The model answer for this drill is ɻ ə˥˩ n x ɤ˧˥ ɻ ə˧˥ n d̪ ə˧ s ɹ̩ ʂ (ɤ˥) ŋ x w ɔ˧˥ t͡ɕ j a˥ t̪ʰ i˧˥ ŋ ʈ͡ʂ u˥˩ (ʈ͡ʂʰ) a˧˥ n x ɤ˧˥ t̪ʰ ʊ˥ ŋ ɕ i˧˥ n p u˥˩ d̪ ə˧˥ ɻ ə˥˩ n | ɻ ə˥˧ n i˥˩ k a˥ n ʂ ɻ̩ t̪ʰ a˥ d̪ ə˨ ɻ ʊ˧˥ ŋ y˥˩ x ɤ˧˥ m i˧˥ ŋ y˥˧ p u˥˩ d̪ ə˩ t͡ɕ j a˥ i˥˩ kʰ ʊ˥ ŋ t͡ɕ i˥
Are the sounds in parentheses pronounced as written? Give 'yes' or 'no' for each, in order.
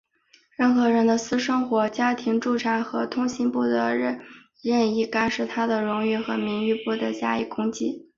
yes, yes

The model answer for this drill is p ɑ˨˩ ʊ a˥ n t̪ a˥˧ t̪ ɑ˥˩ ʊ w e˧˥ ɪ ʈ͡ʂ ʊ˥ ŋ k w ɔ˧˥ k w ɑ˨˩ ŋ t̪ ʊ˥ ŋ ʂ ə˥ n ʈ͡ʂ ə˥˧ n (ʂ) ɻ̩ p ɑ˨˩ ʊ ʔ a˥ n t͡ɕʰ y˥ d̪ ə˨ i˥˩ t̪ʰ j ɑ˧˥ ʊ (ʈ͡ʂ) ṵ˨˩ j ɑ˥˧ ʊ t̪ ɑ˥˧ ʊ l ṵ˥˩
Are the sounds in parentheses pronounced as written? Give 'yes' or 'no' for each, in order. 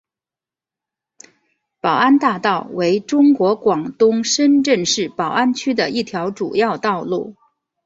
yes, yes

